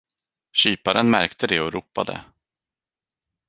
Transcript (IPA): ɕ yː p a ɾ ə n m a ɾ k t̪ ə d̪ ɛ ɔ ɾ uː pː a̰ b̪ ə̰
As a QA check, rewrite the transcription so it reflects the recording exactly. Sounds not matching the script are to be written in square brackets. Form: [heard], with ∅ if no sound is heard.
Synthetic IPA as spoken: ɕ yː p a ɾ ə n m [æ] ɾ k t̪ ə d̪ ɛ ɔ ɾ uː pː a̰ [d̪] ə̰